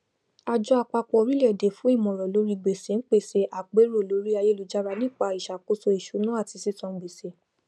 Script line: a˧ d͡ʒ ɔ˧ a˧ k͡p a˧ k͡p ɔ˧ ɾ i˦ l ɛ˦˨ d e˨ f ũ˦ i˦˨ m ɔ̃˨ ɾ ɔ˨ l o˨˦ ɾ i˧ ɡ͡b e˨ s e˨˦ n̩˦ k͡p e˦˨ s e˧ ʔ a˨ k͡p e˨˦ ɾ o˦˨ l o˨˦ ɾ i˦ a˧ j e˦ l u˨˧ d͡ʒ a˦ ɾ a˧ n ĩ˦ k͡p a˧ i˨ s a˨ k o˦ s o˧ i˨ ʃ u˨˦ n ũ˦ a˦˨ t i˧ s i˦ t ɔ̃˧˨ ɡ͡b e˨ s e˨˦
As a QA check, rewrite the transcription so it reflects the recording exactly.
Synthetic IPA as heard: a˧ d͡ʒ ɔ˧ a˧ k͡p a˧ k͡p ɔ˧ ɾ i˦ l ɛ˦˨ d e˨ f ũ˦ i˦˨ m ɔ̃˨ ɾ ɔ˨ l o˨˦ ɾ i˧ ɡ͡b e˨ s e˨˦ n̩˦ k͡p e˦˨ s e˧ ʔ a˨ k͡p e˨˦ ɾ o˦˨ l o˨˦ ɾ i˦ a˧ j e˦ l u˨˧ d͡ʒ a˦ ɾ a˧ n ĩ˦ k͡p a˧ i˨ ʃ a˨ k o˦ s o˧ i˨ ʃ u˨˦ n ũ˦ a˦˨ t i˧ s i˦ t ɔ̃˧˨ ɡ͡b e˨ s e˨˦